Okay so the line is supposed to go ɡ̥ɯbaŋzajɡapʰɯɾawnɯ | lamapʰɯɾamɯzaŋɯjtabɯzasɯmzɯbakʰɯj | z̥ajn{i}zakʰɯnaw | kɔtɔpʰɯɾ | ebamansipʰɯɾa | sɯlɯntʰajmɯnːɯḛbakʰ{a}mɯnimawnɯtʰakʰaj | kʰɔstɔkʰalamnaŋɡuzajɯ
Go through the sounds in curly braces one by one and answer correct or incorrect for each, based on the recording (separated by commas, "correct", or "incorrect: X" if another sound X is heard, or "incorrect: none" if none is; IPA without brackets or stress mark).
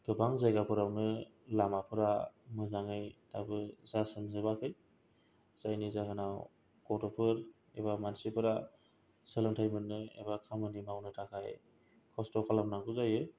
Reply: correct, correct